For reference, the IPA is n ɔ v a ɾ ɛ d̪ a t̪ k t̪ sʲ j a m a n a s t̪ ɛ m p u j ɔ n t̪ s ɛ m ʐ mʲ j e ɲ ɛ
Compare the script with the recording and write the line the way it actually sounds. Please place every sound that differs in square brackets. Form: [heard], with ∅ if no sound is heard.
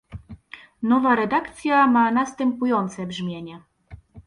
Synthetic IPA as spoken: n ɔ v a ɾ ɛ d̪ a [∅] k t̪ sʲ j a m a n a s t̪ ɛ m p u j ɔ n t̪ s ɛ [b] ʐ mʲ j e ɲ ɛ

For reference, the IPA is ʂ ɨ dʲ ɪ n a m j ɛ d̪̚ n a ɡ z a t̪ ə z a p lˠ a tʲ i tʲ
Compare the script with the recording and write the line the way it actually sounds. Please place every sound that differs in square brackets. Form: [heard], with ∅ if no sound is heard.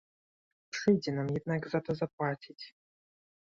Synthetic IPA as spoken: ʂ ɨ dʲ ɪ n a m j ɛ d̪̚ n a ɡ z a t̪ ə z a p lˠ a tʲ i tʲ

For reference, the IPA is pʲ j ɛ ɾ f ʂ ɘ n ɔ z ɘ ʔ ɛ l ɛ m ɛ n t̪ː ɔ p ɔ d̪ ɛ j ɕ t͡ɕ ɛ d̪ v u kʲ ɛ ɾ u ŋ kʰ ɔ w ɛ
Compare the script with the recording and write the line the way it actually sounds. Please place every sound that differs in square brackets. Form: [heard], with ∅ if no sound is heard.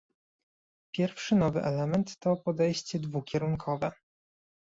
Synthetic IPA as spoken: pʲ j ɛ ɾ f ʂ ɘ n ɔ [v] ɘ ʔ ɛ l ɛ m ɛ n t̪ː ɔ p ɔ d̪ ɛ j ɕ t͡ɕ ɛ d̪ v u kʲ ɛ ɾ u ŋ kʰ ɔ [v] ɛ

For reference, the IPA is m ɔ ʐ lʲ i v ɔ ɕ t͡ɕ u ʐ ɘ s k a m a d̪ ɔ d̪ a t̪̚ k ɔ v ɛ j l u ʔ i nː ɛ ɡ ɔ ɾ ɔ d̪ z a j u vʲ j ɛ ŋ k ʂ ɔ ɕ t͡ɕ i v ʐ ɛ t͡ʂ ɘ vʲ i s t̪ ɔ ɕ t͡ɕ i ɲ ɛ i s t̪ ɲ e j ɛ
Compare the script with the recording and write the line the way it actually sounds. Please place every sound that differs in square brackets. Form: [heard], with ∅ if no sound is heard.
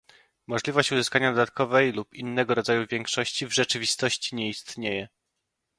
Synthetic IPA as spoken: m ɔ ʐ lʲ i v ɔ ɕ t͡ɕ u [z] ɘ s k a [ɲ] a d̪ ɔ d̪ a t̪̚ k ɔ v ɛ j l u [p] i nː ɛ ɡ ɔ ɾ ɔ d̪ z a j u vʲ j ɛ ŋ k ʂ ɔ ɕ t͡ɕ i v ʐ ɛ t͡ʂ ɘ vʲ i s t̪ ɔ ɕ t͡ɕ i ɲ ɛ i s t̪ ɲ e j ɛ

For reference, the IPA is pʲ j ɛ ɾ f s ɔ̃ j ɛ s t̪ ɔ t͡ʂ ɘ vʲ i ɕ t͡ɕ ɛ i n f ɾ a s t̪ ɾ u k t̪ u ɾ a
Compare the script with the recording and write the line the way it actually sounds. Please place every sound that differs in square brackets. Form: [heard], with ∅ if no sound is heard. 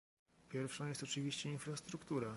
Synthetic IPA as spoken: pʲ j ɛ ɾ f [ʂ] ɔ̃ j ɛ s t̪ ɔ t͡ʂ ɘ vʲ i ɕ t͡ɕ ɛ i n f ɾ a s t̪ ɾ u k t̪ u ɾ a

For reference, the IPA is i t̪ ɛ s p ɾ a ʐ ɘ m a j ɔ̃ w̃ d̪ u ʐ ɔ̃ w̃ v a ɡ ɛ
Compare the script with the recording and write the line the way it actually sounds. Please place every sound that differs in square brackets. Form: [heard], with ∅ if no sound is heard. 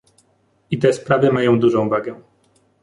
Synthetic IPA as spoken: i t̪ ɛ s p ɾ a [v] ɘ m a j ɔ̃ w̃ d̪ u ʐ ɔ̃ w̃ v a ɡ ɛ

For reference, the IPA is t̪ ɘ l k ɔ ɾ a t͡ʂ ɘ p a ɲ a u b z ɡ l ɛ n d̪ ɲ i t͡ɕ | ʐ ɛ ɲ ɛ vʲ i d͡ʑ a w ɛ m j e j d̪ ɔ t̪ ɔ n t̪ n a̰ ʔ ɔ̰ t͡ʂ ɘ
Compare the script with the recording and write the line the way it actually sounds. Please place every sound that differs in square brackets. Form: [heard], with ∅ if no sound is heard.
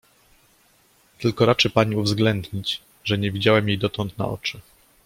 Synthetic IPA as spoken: t̪ ɘ l k ɔ ɾ a t͡ʂ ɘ p a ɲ [i] u [v] z ɡ l ɛ n d̪ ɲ i t͡ɕ | ʐ ɛ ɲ ɛ vʲ i d͡ʑ a w ɛ m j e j d̪ ɔ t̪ ɔ n t̪ n a̰ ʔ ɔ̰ t͡ʂ ɘ

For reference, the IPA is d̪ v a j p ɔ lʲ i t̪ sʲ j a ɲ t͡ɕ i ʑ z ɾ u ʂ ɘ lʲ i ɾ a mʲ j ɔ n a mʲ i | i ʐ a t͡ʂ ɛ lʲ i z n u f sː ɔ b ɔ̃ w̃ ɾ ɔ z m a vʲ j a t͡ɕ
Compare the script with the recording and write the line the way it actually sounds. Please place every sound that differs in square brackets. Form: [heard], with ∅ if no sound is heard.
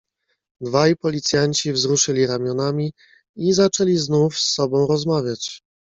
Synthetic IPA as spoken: d̪ v a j p ɔ lʲ i t̪ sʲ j a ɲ t͡ɕ i [v] z ɾ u ʂ ɘ lʲ i ɾ a mʲ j ɔ n a mʲ i | i [z] a t͡ʂ ɛ lʲ i z n u f sː ɔ b ɔ̃ w̃ ɾ ɔ z m a vʲ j a t͡ɕ

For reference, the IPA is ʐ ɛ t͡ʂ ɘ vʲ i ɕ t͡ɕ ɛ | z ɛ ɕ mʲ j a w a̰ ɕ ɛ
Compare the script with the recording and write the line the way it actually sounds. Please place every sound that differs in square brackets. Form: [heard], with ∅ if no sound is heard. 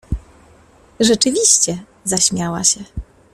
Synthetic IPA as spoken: ʐ ɛ t͡ʂ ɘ vʲ i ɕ t͡ɕ ɛ | z [a] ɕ mʲ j a w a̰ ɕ ɛ

